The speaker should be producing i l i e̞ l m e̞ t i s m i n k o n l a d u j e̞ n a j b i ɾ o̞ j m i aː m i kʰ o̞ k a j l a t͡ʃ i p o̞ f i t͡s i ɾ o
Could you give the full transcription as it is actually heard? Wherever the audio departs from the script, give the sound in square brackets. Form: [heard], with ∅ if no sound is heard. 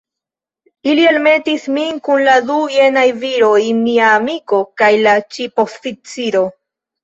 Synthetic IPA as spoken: i l i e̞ l m e̞ t i s m i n k [u] n l a d u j e̞ n a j [v] i ɾ o̞ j m i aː m i [k] o̞ k a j l a t͡ʃ i p o̞ f i t͡s i ɾ o